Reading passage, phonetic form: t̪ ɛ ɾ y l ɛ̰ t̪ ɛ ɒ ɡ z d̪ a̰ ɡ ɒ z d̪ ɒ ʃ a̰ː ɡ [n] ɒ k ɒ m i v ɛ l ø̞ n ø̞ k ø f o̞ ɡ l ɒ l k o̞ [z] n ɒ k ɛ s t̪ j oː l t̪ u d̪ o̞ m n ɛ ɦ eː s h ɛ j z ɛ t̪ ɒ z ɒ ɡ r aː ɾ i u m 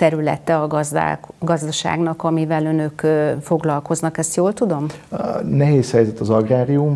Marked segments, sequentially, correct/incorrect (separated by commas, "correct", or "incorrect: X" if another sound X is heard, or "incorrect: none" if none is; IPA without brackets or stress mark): correct, correct